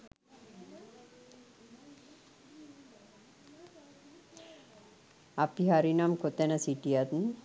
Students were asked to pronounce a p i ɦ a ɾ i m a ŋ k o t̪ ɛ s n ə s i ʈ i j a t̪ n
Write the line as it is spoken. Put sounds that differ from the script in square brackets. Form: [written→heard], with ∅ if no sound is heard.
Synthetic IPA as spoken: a p i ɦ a ɾ i [m→n] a [ŋ→m] k o t̪ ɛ [s→∅] n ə s i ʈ i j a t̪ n